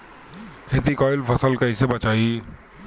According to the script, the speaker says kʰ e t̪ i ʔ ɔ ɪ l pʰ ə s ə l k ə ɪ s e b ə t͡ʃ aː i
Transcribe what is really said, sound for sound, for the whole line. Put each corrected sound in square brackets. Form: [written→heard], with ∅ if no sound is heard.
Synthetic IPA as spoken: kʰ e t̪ i [ʔ→k] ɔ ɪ l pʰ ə s ə l k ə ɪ s e b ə t͡ʃ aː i